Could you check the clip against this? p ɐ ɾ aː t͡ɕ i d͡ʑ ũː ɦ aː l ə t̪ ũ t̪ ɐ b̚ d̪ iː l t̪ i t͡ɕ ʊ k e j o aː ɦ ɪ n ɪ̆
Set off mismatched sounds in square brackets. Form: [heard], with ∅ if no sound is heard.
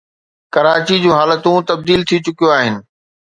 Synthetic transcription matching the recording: [k] ɐ ɾ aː t͡ɕ i d͡ʑ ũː ɦ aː l ə t̪ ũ t̪ ɐ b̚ d̪ iː l [t̪ʰ] i t͡ɕ ʊ k [i] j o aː ɦ ɪ n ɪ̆